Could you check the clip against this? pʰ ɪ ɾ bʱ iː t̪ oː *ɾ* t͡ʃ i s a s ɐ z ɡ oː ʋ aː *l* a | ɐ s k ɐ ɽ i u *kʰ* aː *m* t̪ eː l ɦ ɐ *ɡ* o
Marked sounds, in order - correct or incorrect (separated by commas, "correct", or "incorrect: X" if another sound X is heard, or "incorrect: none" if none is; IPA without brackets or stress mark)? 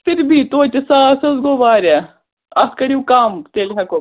incorrect: none, incorrect: ɾ, incorrect: k, correct, incorrect: k